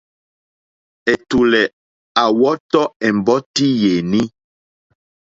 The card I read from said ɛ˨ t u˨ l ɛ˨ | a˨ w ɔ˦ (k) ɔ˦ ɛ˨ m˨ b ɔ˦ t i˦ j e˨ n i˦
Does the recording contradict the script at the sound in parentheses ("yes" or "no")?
yes